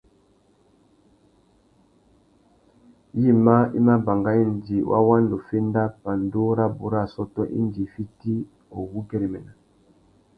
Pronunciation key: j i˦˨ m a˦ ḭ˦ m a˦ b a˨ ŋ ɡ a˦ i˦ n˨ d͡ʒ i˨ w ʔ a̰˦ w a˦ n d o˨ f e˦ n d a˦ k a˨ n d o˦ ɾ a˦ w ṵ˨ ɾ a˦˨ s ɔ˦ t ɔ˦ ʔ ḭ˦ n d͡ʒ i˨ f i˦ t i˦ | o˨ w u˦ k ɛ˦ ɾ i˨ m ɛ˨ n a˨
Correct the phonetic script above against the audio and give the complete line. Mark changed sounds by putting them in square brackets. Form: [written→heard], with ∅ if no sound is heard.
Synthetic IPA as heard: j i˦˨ m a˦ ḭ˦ m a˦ b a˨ ŋ ɡ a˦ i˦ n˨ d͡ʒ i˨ w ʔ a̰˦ w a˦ n d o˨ f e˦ n d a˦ [k→p] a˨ n d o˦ ɾ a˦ [w→b] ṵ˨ ɾ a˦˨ s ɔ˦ t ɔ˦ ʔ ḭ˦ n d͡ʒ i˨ f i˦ t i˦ | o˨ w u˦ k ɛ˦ ɾ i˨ m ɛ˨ n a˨